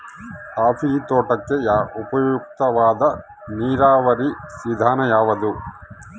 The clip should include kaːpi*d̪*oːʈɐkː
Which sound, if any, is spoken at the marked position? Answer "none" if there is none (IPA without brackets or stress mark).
t̪